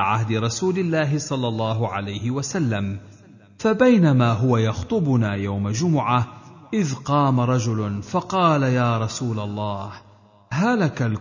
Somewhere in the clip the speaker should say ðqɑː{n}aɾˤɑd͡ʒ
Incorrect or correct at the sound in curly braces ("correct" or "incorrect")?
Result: incorrect